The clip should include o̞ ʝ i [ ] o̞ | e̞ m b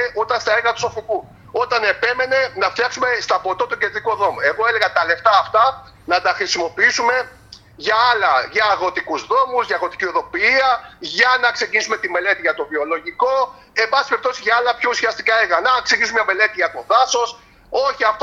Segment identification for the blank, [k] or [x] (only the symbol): k